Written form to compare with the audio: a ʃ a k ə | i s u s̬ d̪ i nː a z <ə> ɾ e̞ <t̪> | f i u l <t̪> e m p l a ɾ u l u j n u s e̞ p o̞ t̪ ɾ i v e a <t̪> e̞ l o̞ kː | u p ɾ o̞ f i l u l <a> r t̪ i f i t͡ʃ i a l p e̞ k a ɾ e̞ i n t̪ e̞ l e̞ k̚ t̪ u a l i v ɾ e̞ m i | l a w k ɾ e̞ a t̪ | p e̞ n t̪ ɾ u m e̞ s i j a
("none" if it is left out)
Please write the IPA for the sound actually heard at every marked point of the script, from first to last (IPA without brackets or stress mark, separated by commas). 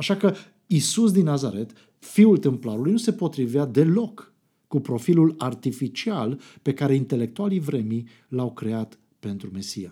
a, t̪, t̪, d̪, a